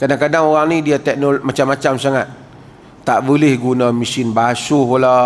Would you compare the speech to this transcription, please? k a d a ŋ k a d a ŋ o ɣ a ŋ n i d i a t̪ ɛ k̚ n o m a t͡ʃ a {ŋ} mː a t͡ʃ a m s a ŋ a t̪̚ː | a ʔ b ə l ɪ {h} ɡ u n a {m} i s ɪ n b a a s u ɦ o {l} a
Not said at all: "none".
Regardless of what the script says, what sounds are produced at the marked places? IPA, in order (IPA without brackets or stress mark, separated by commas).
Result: none, h, m, l